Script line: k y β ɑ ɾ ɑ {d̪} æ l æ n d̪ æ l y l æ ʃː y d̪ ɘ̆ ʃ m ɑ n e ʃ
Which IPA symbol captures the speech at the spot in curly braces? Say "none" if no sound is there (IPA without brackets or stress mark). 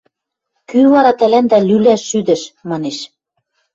t̪